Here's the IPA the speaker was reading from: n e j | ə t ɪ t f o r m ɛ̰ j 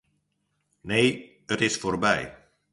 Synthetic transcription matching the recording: n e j | ə t ɪ s f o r b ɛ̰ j